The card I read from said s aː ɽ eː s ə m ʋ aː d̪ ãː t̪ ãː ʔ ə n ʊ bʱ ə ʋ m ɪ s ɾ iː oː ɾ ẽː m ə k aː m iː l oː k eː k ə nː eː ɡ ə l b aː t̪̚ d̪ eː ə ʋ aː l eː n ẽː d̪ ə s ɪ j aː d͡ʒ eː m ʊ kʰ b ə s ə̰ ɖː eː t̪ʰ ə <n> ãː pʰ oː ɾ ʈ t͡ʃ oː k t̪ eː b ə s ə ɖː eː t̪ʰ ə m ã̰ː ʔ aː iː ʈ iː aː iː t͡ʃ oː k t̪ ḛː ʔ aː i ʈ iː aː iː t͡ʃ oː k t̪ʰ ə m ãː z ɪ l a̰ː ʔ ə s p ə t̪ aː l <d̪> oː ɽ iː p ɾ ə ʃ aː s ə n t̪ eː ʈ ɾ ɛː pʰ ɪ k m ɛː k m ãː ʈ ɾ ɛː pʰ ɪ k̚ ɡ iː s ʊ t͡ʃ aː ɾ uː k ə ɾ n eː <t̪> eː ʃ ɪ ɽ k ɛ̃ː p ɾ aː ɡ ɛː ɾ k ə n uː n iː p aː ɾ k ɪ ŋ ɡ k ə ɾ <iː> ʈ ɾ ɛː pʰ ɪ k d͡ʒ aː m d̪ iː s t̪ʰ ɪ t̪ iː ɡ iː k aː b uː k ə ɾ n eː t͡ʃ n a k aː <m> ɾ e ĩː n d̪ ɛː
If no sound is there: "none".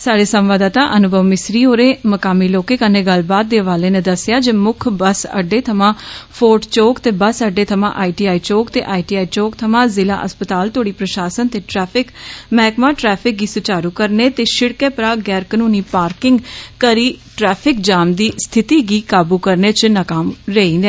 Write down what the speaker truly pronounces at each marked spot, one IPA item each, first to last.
m, t̪, t̪, iː, m

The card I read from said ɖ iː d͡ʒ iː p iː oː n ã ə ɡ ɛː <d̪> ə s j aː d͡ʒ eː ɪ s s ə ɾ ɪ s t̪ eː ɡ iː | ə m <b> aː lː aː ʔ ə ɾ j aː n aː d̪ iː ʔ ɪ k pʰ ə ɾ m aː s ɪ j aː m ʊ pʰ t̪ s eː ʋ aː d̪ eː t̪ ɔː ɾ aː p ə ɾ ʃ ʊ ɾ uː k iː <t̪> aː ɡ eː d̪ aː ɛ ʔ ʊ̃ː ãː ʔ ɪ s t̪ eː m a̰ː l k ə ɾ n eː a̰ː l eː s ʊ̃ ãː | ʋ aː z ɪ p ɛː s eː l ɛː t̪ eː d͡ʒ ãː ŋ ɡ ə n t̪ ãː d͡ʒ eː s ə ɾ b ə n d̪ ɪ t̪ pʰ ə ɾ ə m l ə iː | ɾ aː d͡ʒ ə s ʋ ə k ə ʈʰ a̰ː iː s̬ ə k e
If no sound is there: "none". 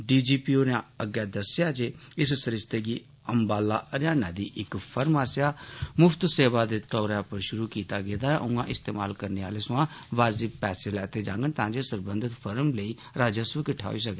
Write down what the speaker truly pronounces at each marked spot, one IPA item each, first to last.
d̪, b, t̪

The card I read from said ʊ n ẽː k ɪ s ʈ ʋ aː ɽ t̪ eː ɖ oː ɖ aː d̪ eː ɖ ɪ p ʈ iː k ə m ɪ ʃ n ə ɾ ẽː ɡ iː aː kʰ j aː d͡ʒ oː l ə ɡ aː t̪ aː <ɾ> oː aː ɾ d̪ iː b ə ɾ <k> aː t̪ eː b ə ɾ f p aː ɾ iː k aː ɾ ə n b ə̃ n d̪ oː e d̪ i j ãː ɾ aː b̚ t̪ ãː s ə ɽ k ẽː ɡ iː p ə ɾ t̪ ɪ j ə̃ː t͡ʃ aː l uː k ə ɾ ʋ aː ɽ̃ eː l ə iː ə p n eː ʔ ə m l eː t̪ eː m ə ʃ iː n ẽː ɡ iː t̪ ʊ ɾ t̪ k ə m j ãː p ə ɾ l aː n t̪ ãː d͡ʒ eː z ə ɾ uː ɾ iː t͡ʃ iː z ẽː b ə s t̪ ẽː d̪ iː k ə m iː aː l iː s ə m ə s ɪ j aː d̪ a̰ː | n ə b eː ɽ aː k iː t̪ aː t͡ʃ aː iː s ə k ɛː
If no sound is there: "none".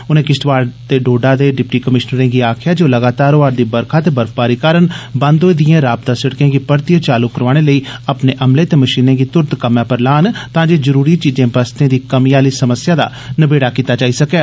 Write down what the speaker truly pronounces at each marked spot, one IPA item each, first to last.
ɾ, kʰ

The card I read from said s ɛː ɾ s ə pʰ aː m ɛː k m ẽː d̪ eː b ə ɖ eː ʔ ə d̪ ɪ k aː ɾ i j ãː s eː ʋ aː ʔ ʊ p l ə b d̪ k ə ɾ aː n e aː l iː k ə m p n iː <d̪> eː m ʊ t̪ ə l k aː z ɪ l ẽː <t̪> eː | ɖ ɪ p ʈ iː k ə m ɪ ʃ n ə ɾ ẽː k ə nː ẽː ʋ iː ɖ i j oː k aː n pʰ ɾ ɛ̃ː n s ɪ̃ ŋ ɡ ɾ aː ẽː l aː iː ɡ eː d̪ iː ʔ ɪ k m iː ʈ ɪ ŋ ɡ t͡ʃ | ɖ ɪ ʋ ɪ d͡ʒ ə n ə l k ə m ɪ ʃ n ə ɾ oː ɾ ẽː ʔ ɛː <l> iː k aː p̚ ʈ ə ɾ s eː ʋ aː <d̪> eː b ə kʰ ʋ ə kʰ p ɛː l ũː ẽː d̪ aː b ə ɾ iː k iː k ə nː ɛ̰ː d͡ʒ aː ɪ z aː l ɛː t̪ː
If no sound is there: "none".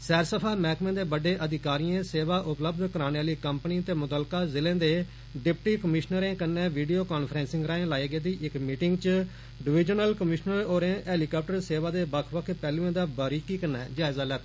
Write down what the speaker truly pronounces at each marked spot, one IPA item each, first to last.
t̪, d̪, l, d̪

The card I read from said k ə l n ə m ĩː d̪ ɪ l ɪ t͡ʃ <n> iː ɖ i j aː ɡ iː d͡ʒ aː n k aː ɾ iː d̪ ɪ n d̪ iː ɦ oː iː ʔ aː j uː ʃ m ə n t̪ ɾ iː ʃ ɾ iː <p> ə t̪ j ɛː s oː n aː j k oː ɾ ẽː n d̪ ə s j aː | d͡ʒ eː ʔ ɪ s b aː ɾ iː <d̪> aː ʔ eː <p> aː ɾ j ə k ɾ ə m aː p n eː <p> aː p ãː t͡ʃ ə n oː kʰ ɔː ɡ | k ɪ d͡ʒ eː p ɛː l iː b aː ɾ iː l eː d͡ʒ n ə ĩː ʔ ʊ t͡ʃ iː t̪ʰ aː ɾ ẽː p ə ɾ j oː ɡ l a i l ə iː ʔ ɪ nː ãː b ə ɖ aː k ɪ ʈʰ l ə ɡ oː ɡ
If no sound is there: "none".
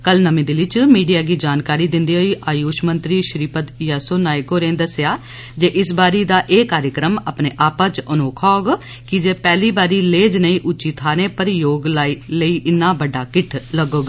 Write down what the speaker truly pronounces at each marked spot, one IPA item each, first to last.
m, p, d̪, k, ʔ

